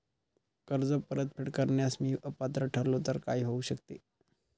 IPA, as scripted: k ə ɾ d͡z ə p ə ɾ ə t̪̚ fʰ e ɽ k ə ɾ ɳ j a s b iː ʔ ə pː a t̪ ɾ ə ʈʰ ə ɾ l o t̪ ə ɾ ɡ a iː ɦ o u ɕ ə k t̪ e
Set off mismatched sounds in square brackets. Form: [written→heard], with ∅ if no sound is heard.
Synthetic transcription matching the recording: k ə ɾ d͡z ə p ə ɾ ə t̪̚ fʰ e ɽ k ə ɾ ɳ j a s [b→m] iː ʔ ə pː a t̪ ɾ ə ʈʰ ə ɾ l o t̪ ə ɾ [ɡ→k] a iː ɦ o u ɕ ə k t̪ e

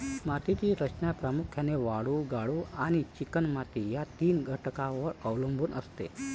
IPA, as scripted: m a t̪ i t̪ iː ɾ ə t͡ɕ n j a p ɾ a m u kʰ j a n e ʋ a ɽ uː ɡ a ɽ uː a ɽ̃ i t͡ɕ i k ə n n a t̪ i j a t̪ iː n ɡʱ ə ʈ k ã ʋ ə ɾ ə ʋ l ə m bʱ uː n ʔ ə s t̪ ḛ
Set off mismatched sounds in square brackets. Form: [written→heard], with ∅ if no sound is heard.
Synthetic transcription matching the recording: m a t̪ i t̪ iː ɾ ə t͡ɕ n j a p ɾ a m u kʰ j a n e ʋ a ɽ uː ɡ a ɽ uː a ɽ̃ i t͡ɕ i k ə n [n→m] a t̪ i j a t̪ iː n ɡʱ ə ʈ k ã ʋ ə ɾ ə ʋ l ə m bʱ uː n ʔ ə s t̪ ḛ

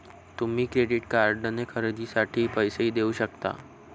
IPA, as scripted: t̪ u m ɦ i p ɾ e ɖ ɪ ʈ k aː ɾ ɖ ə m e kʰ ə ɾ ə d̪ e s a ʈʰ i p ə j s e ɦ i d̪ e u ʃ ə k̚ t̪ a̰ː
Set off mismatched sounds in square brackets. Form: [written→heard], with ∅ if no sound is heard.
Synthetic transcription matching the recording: t̪ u m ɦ i [p→k] ɾ e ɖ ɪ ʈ k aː ɾ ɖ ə [m→n] e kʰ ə ɾ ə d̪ [e→i] s a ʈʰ i p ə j s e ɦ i d̪ e u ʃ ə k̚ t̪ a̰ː

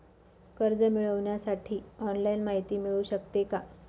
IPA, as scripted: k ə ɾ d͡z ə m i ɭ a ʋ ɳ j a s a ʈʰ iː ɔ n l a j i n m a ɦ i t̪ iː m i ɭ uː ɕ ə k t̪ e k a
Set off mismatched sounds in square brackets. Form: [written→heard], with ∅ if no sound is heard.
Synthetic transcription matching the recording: k ə ɾ d͡z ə m i ɭ [a→ə] ʋ ɳ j a s a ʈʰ iː ɔ n l a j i n m a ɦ i t̪ iː m i ɭ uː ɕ ə k t̪ e k a

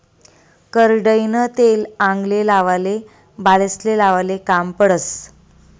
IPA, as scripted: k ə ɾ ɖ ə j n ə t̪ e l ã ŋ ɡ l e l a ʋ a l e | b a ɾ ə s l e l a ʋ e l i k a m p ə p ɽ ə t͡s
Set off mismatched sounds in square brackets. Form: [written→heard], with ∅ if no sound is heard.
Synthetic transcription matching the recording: k ə ɾ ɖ ə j n ə t̪ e l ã ŋ ɡ l e l a ʋ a l e | b a [ɾ→l] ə s l e l a ʋ [e→a] l [i→e] k a m p ə [p→∅] ɽ ə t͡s

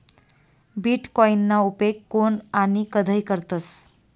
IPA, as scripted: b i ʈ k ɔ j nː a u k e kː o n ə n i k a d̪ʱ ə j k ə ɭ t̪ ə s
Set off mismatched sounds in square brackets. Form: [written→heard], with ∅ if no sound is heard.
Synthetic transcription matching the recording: b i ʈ k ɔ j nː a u [k→p] e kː o n [ə→a] n i k [a→ə] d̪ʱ ə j k ə [ɭ→ɾ] t̪ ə s

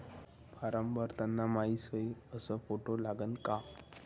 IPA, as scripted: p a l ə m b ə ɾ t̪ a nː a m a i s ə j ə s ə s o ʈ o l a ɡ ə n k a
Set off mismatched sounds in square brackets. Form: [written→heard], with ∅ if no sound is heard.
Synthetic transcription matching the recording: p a [l→ɾ] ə m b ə ɾ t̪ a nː a m a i s ə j ə s ə [s→f] o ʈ o l a ɡ ə n k a

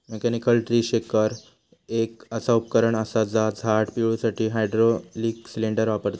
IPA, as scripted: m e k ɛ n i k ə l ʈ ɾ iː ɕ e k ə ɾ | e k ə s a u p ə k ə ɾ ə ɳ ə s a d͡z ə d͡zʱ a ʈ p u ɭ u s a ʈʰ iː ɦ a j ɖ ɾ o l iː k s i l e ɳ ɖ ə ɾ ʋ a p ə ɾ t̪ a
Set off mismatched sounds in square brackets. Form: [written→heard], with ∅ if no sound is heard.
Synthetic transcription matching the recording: m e k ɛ n i k ə l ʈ ɾ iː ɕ e k ə ɾ | e k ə s a u p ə k ə ɾ ə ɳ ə s a d͡z [ə→a] d͡zʱ a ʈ p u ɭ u s a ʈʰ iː ɦ a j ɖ ɾ o l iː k s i l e ɳ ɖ ə ɾ ʋ a p ə ɾ t̪ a

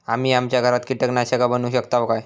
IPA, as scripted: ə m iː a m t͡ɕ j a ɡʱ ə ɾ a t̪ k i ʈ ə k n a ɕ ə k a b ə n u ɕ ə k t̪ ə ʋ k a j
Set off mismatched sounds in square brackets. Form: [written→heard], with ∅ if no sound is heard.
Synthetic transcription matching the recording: [ə→a] m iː a m t͡ɕ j a ɡʱ ə ɾ a t̪ k i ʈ ə k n a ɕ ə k a b ə n u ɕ ə k t̪ [ə→a] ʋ k a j

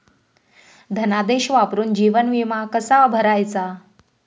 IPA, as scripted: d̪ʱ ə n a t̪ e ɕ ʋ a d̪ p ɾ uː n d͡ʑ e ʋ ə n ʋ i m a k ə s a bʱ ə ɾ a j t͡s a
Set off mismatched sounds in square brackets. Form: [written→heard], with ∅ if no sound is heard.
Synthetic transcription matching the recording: d̪ʱ ə n a [t̪→d̪] e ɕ ʋ a [d̪→∅] p ɾ uː n d͡ʑ [e→i] ʋ ə n ʋ i m a k ə s a bʱ ə ɾ a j t͡s a

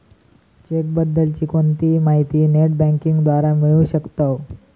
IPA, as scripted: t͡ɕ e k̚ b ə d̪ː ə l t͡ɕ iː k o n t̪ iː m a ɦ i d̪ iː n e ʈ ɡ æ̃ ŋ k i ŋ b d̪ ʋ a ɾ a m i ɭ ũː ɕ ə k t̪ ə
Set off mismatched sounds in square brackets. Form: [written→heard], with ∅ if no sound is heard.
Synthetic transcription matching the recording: t͡ɕ e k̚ b ə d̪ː ə l t͡ɕ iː k o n t̪ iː m a ɦ i [d̪→t̪] iː n e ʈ [ɡ→b] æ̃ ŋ k i ŋ [b→ɡ] d̪ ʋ a ɾ a m i ɭ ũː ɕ ə k t̪ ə

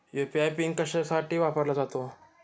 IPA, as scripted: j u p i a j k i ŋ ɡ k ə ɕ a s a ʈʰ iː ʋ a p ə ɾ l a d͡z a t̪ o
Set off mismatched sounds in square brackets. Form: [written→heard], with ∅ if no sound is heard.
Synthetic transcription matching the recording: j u p i a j [k→p] i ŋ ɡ k ə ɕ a s a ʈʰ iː ʋ a p ə ɾ l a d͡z a t̪ o

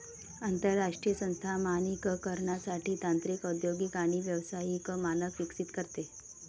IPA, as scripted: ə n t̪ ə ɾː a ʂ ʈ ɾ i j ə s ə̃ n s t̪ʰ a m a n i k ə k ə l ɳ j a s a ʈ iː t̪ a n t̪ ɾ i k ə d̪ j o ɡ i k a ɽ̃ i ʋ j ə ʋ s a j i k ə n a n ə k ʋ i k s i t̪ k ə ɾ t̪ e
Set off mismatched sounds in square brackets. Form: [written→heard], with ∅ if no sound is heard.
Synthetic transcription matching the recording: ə n t̪ ə ɾː a ʂ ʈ ɾ i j ə s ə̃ n s t̪ʰ a m a n i k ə k ə [l→ɾ] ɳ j a s a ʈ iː t̪ a n t̪ ɾ i k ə d̪ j o ɡ i k a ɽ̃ i ʋ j ə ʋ s a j i k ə [n→m] a n ə k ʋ i k s i t̪ k ə ɾ t̪ e

